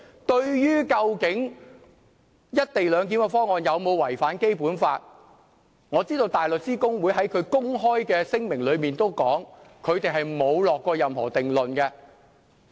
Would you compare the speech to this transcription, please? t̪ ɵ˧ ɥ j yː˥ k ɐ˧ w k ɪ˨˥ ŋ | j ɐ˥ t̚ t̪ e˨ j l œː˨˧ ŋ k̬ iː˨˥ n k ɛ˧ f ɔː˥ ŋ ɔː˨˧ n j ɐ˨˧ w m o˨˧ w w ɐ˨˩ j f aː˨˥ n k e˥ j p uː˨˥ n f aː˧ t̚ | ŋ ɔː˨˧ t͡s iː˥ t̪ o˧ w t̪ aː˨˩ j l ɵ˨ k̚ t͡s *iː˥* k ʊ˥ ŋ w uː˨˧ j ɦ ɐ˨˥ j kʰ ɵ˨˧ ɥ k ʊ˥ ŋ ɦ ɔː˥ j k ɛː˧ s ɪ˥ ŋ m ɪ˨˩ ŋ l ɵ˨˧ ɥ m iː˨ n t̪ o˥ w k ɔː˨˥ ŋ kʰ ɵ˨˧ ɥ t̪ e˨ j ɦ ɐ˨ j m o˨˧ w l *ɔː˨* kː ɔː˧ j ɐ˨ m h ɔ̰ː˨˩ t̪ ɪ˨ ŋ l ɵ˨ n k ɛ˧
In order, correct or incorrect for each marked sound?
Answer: correct, correct

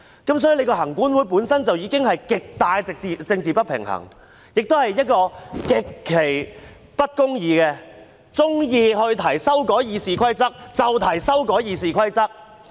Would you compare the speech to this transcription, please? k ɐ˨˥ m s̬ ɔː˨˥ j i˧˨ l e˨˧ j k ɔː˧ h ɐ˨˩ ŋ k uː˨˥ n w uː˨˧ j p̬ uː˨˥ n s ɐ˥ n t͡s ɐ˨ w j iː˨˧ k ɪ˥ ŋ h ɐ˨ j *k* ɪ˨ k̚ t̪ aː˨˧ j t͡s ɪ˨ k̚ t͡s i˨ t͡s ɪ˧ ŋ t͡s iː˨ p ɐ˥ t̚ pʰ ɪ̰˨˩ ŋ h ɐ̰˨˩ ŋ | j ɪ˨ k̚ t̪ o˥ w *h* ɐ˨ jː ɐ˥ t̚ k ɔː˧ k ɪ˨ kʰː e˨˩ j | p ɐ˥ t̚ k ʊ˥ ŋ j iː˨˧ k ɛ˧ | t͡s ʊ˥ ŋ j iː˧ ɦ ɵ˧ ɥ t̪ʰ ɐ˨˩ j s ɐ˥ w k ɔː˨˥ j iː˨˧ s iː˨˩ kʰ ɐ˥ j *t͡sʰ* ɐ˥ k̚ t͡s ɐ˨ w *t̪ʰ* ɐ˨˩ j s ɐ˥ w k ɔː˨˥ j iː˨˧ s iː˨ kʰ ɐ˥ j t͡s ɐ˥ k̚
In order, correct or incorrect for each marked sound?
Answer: correct, correct, incorrect: t͡s, correct

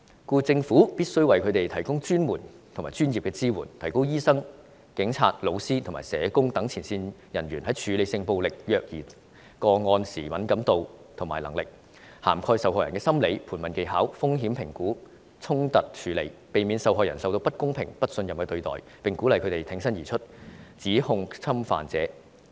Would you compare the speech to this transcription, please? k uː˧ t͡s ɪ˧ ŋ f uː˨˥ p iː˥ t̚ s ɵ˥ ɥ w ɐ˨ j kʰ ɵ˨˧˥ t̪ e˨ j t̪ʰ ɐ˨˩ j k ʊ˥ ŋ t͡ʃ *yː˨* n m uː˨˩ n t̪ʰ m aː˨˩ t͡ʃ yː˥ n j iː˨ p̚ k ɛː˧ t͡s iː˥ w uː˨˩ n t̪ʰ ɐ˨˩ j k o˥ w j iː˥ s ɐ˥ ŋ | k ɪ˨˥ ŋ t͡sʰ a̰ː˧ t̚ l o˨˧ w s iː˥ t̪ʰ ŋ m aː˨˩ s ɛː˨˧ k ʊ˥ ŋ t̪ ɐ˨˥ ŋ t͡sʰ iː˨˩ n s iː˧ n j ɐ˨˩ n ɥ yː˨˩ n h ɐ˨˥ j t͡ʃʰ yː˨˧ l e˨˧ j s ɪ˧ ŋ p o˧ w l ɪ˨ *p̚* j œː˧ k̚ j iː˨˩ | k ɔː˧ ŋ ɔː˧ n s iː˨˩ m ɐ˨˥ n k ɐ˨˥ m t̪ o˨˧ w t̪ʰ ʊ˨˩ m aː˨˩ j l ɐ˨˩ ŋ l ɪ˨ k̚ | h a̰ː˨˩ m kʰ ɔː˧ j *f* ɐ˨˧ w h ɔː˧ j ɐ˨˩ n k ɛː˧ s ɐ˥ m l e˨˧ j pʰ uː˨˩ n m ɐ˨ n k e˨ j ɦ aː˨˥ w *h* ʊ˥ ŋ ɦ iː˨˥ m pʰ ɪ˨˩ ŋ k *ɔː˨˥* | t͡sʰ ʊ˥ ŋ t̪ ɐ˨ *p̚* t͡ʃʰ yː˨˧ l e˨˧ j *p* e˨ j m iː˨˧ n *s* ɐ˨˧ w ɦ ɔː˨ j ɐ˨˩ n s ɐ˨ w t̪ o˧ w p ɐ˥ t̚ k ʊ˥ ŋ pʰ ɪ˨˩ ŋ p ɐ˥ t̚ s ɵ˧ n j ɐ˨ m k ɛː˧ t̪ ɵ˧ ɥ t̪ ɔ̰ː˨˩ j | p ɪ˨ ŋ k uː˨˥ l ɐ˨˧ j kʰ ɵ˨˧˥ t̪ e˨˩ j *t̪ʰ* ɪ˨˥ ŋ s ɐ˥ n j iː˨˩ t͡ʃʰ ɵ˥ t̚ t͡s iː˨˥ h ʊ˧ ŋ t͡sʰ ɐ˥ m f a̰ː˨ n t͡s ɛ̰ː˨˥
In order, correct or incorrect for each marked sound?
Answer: incorrect: yː˥, incorrect: k̚, incorrect: s, incorrect: f, incorrect: uː˨˥, incorrect: t̚, correct, correct, correct

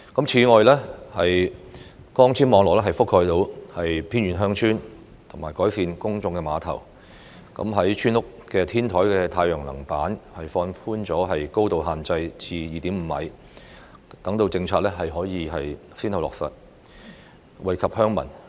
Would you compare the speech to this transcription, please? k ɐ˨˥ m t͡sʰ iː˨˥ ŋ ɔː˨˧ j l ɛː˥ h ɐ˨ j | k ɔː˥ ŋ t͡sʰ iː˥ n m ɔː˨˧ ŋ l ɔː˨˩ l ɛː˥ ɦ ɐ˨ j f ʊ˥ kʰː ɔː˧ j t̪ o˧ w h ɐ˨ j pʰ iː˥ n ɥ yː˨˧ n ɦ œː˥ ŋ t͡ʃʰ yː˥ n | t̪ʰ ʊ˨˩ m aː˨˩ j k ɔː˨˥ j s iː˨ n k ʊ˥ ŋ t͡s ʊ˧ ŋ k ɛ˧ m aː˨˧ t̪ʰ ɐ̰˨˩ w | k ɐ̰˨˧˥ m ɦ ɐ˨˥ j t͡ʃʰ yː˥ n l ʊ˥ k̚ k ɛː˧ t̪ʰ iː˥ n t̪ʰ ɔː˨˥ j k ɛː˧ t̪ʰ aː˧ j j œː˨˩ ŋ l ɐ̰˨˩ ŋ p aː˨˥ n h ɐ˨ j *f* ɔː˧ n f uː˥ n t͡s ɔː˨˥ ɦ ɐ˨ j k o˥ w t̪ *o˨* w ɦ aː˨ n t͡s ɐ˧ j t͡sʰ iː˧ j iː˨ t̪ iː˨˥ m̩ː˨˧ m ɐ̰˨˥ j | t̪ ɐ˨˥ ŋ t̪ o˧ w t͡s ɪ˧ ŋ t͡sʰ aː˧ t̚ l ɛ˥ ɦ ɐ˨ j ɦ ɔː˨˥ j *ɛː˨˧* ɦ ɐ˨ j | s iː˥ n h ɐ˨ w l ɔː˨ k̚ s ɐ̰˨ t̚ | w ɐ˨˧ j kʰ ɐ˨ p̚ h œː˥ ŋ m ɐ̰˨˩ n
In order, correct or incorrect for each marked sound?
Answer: correct, correct, incorrect: iː˨˧

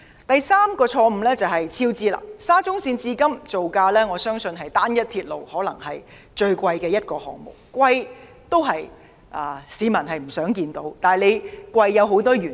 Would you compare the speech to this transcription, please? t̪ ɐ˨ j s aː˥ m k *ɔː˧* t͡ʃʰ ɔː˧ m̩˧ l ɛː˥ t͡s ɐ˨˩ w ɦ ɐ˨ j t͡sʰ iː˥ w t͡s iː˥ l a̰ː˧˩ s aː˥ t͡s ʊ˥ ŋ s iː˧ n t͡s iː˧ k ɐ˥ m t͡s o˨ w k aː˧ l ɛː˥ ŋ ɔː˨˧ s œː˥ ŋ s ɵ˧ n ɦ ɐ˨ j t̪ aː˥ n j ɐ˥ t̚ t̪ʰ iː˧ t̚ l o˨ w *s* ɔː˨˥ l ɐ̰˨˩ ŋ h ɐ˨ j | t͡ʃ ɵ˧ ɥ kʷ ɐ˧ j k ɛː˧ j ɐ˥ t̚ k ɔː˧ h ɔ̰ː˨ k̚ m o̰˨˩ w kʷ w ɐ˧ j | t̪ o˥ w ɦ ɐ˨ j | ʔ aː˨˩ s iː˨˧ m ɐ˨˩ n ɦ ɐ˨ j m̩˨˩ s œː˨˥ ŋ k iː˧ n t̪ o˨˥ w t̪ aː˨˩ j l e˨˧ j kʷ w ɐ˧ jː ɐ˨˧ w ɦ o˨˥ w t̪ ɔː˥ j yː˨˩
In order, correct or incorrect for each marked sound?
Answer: correct, incorrect: h

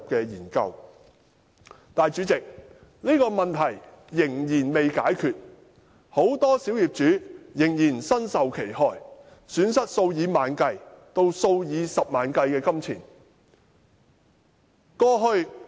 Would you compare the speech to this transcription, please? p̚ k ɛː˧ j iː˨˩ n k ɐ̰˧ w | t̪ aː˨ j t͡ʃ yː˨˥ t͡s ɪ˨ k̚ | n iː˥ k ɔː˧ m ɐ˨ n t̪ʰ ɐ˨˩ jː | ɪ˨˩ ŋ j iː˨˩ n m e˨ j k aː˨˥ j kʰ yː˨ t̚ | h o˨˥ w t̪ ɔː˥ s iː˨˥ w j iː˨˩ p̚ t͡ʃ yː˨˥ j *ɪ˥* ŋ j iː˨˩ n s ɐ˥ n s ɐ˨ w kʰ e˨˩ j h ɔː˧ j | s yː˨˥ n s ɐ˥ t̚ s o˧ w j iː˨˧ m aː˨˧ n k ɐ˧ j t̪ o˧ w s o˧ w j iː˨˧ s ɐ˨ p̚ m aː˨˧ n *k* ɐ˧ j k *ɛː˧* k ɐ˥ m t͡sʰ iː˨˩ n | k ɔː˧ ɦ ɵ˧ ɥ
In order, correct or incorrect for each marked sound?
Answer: incorrect: ɪ˨˩, correct, correct

